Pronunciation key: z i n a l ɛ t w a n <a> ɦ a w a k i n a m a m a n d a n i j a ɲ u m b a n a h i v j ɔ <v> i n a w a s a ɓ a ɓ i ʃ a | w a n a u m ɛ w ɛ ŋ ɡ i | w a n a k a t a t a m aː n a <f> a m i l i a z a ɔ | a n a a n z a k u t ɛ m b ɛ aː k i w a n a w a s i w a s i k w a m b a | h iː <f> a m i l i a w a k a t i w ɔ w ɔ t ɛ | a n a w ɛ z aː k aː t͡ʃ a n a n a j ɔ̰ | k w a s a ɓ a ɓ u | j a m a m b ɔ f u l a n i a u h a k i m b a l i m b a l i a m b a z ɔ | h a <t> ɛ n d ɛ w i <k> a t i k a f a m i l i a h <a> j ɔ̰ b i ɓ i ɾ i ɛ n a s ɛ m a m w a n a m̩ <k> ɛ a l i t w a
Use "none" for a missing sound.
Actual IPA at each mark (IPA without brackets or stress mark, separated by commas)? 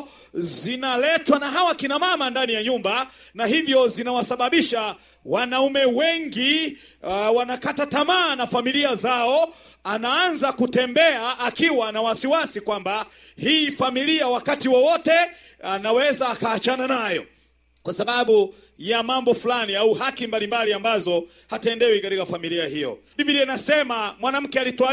a, z, f, f, t, k, i, k